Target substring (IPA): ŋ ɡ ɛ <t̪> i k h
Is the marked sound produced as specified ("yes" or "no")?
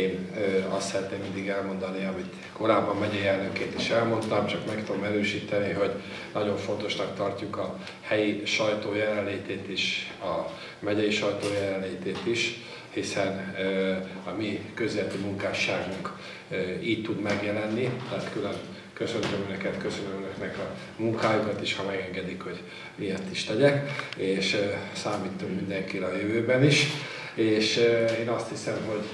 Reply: no